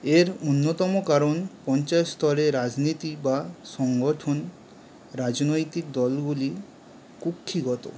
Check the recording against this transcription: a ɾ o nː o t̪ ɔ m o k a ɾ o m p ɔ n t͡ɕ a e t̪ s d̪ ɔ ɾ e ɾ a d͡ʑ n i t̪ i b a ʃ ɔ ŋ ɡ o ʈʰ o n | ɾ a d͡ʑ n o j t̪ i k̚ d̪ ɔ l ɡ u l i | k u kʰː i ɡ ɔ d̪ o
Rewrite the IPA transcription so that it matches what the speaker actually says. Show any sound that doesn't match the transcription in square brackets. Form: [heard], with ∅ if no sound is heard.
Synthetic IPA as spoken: [e] ɾ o nː o t̪ ɔ m o k a ɾ o [n] p ɔ n t͡ɕ a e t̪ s [t̪] ɔ ɾ e ɾ a d͡ʑ n i t̪ i b a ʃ ɔ ŋ ɡ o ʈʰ o n | ɾ a d͡ʑ n o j t̪ i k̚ d̪ ɔ l ɡ u l i | k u kʰː i ɡ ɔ [t̪] o